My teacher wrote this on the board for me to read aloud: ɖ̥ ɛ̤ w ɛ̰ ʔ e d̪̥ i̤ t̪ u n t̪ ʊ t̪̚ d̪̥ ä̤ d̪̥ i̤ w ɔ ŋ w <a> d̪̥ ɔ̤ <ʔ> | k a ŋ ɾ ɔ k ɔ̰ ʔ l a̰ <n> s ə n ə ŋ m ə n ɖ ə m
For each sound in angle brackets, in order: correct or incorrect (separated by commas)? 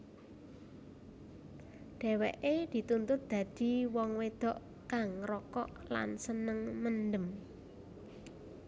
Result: incorrect, correct, correct